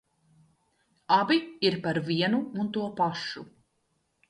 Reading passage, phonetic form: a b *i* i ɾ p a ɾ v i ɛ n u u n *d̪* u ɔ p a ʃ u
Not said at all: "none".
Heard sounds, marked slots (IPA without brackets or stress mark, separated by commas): i, t̪